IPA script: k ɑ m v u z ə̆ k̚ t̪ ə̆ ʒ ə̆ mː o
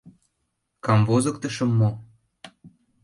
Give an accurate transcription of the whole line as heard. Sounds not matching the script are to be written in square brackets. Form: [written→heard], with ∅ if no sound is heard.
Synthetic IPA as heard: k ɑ m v [u→o] z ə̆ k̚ t̪ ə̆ [ʒ→ʃ] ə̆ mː o